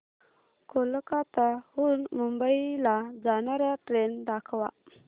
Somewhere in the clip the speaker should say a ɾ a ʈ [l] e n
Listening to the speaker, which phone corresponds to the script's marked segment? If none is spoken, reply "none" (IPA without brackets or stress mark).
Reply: ɾ